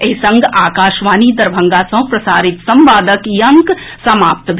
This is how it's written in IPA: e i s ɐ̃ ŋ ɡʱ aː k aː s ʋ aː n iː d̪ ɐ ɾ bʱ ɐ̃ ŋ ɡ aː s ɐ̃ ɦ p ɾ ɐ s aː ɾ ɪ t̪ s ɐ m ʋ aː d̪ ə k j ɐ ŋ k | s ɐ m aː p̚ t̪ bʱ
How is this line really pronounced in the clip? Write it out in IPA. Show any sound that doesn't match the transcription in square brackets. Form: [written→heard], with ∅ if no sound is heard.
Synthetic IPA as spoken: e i s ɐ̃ ŋ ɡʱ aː k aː [s→ʃ] ʋ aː n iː d̪ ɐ ɾ bʱ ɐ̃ ŋ ɡ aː s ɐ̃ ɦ p ɾ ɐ s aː ɾ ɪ t̪ s ɐ m ʋ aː d̪ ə k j ɐ ŋ k | s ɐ m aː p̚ t̪ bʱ